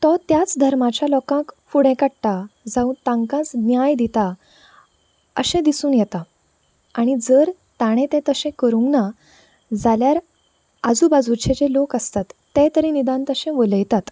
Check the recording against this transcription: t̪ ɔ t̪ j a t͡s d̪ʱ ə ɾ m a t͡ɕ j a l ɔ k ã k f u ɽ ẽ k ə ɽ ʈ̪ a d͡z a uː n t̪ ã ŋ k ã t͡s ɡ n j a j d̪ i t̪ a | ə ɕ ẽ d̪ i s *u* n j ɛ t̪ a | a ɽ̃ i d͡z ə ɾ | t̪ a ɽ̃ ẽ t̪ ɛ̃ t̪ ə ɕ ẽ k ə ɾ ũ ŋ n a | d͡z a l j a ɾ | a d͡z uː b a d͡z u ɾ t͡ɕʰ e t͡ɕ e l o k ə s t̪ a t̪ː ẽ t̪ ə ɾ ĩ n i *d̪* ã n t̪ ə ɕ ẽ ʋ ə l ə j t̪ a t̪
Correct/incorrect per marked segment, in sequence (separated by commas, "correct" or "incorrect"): incorrect, correct